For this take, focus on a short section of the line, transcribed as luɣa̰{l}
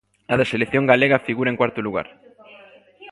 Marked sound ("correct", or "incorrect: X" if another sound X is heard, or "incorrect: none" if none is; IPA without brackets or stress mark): incorrect: ɾ